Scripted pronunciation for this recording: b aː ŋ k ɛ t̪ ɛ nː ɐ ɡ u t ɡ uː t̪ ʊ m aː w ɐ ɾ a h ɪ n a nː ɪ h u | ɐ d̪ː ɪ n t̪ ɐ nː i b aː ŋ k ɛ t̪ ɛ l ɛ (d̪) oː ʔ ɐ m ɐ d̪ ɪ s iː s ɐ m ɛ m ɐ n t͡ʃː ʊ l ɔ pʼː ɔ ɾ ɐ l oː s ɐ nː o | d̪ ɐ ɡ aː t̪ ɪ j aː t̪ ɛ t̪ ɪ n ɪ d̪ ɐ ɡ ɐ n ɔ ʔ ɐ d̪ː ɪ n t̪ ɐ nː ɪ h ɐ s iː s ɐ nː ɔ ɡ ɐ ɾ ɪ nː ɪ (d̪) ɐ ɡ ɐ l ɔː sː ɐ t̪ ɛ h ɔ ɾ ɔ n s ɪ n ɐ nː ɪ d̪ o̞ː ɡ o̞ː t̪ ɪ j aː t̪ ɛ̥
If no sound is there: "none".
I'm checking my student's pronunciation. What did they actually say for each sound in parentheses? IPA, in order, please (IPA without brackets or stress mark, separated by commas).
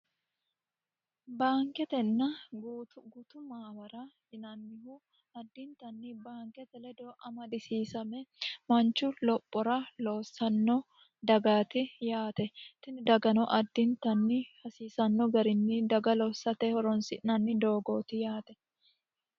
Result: d̪, d̪